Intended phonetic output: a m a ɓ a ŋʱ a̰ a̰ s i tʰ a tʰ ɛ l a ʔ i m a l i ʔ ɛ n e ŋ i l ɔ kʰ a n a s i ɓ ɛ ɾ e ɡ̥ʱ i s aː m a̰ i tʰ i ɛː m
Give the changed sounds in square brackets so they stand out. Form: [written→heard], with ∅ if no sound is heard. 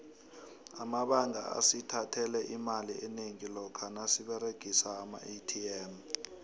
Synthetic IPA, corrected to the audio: a m a ɓ a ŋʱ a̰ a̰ s i tʰ a tʰ ɛ l [a→ɛ] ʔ i m a l i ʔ ɛ n e ŋ i l ɔ kʰ a n a s i ɓ ɛ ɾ e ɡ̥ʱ i s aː m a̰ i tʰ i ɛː m